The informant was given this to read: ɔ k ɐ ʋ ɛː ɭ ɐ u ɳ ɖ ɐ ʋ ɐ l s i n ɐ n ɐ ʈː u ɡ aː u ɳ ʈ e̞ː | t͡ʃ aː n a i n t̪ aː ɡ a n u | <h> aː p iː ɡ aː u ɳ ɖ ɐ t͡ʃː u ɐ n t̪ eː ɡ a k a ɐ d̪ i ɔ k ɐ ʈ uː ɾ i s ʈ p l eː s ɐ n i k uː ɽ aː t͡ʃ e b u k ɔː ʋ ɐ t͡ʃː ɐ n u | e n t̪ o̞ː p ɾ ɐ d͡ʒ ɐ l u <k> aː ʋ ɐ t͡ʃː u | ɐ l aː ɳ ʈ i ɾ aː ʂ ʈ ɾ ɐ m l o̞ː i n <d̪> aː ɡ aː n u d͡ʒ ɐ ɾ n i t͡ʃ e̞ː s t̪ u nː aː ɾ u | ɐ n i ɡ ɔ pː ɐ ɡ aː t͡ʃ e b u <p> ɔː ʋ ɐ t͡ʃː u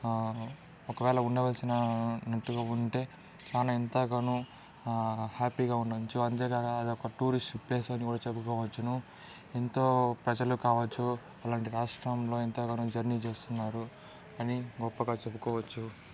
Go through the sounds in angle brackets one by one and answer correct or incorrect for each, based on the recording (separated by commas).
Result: correct, correct, incorrect, incorrect